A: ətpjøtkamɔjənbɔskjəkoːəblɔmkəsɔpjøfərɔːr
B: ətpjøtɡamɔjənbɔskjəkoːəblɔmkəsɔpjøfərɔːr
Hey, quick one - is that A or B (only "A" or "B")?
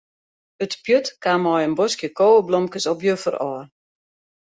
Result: A